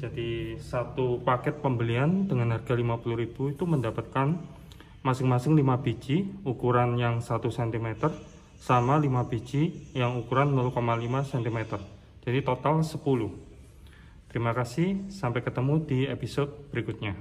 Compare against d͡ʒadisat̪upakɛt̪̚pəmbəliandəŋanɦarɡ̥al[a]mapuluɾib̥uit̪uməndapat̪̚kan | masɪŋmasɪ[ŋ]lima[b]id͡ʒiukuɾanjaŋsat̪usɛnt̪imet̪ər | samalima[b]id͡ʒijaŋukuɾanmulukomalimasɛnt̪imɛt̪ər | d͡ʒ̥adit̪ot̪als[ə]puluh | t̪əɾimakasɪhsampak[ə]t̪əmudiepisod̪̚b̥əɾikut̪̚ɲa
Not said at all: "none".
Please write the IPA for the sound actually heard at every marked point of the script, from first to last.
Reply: i, ŋ, b, b, ə, ə

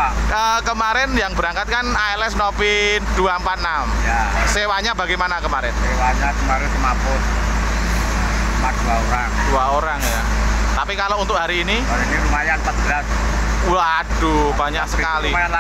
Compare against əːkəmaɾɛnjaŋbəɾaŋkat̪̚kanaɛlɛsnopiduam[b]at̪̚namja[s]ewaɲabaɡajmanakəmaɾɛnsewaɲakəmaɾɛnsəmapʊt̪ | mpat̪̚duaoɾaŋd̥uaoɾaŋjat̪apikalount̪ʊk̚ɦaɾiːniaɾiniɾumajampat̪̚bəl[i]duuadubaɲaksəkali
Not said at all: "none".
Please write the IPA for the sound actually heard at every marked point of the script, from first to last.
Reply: p, s, a

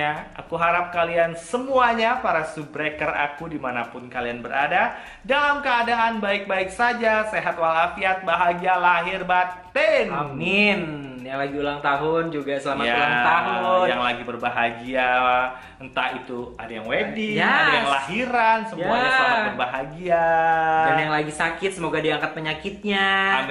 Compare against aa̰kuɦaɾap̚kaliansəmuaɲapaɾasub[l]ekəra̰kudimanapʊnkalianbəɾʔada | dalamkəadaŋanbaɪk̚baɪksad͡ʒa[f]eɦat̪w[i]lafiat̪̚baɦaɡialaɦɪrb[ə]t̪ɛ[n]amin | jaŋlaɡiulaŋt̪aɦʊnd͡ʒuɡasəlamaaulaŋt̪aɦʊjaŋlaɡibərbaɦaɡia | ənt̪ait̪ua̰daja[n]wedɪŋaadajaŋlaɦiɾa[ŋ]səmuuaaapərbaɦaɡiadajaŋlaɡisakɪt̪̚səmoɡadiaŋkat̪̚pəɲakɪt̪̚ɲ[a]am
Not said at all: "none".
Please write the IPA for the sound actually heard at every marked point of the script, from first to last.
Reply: ɾ, s, a, a, n, ŋ, n, a

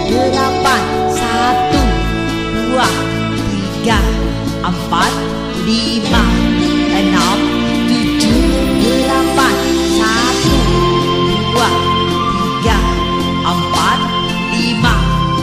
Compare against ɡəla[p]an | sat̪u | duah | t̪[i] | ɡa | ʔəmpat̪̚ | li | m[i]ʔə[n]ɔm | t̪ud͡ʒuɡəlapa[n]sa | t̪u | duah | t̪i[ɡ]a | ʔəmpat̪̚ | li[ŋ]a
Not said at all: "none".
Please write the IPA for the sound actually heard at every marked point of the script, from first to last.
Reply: p, i, a, n, n, ɡ, m

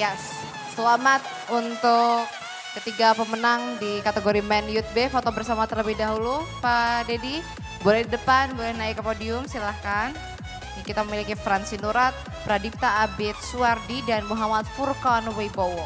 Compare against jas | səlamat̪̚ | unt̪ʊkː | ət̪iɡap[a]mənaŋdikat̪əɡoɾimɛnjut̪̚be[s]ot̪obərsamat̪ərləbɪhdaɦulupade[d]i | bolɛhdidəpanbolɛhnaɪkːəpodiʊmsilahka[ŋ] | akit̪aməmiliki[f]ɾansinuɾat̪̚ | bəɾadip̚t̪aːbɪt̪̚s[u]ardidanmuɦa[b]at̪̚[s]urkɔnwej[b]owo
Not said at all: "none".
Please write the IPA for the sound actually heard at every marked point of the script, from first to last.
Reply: ə, f, d, n, f, u, m, f, b

